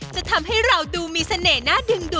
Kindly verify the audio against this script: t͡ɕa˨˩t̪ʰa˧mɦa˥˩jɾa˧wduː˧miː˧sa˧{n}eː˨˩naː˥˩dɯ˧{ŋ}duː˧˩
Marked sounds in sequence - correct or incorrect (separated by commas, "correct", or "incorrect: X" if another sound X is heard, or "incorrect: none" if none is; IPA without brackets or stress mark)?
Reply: correct, correct